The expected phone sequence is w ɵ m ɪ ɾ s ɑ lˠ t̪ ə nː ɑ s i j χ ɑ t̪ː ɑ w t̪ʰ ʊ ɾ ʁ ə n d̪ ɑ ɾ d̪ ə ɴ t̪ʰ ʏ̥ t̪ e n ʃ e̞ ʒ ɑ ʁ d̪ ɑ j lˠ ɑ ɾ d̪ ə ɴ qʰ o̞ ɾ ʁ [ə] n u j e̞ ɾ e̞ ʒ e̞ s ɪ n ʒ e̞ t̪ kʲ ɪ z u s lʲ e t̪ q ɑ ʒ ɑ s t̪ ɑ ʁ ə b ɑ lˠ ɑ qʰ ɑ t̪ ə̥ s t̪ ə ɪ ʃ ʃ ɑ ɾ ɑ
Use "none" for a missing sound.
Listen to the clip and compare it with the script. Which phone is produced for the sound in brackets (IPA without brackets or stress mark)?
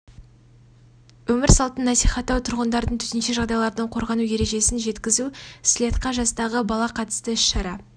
ɑ